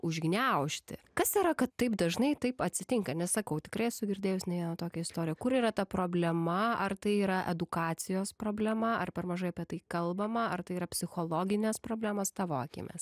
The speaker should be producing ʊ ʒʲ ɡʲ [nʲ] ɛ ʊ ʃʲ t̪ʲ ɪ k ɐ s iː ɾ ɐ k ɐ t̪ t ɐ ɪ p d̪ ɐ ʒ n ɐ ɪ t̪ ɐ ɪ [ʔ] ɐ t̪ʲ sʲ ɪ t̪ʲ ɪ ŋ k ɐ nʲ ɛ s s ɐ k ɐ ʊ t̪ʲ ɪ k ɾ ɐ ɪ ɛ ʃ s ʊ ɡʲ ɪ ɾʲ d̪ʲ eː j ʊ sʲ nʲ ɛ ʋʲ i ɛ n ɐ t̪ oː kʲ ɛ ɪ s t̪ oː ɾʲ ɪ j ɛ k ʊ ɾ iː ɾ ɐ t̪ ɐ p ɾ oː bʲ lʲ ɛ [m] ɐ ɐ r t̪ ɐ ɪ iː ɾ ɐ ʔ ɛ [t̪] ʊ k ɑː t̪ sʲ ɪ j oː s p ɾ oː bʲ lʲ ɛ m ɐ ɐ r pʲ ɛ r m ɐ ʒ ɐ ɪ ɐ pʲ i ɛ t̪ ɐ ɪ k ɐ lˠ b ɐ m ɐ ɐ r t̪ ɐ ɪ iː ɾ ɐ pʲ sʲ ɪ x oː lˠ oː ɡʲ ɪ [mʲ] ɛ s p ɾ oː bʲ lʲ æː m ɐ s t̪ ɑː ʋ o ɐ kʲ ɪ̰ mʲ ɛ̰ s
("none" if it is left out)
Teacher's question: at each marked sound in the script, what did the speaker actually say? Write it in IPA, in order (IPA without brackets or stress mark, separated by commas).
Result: nʲ, p, m, d̪, nʲ